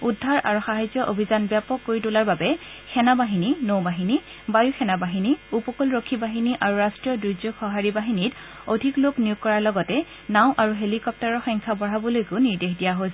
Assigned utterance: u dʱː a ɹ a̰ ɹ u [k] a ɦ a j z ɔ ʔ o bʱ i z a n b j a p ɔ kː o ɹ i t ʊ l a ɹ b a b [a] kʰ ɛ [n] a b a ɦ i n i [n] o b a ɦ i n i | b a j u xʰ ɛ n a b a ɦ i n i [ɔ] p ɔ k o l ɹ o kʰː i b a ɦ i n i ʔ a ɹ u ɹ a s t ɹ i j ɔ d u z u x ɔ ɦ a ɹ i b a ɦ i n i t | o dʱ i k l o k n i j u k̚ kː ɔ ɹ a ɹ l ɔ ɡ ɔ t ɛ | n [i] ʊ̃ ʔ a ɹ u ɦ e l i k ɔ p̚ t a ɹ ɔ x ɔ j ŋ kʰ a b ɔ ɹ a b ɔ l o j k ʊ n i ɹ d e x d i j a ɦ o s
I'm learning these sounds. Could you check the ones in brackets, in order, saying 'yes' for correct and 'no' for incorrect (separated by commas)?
no, no, yes, yes, no, no